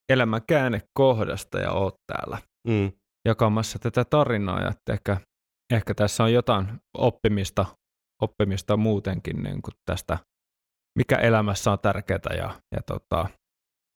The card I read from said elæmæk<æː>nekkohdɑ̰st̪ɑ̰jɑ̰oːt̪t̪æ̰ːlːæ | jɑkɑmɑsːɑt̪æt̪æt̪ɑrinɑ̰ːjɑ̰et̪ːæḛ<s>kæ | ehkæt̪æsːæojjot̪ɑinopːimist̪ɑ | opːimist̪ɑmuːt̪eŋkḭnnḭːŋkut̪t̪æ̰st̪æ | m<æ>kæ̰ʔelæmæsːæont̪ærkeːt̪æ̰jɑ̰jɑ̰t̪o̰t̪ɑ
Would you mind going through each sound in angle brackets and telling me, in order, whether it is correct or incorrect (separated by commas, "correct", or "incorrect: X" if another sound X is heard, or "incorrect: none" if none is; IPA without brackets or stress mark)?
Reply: correct, incorrect: h, incorrect: i